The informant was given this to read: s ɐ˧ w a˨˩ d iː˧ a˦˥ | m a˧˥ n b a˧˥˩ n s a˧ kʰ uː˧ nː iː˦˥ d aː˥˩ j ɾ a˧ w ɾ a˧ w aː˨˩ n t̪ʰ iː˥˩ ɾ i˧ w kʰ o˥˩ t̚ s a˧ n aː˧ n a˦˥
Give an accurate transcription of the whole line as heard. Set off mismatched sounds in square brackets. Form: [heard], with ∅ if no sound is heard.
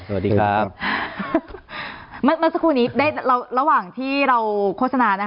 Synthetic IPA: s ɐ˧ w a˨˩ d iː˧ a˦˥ | m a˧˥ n [m] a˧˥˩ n s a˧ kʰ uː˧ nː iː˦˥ d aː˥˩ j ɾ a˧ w ɾ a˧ w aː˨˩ [ŋ] t̪ʰ iː˥˩ ɾ [a˧] w kʰ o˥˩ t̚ s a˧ n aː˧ n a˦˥